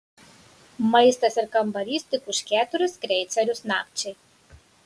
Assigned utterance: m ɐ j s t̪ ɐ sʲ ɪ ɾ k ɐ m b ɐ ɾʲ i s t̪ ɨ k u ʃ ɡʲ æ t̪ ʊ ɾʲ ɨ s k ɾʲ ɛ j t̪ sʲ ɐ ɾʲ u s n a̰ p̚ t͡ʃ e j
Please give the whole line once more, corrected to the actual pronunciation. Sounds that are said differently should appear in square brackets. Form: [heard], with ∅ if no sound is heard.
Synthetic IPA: m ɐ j s t̪ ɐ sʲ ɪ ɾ k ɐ m b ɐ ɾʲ i s t̪ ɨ k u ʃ [kʲ] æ t̪ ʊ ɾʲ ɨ s k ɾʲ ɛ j t̪ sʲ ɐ ɾʲ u s n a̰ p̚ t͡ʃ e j